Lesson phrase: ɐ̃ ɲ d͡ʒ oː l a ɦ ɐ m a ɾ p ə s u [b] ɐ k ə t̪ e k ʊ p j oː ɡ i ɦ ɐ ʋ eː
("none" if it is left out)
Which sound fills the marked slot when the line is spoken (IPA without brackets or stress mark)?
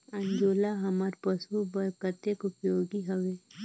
b